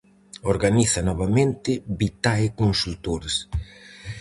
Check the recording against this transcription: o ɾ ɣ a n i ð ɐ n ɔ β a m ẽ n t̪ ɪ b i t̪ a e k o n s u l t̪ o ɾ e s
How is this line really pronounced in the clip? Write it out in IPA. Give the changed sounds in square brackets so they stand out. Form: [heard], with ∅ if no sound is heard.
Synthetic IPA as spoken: o ɾ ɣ a n i [θ] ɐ n ɔ β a m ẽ n t̪ ɪ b i t̪ a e k o n s u l t̪ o ɾ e s